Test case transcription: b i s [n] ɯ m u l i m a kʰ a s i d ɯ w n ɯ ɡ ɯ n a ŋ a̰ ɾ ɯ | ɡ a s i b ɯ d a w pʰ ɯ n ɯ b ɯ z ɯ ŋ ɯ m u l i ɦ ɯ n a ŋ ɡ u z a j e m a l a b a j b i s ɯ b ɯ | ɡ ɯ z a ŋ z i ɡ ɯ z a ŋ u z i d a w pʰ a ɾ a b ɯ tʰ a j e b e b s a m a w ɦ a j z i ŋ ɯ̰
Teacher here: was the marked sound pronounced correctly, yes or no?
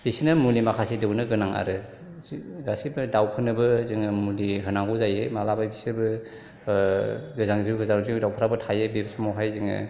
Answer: yes